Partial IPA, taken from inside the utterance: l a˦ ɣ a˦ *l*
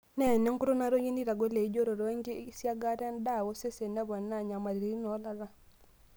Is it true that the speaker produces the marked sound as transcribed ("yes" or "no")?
no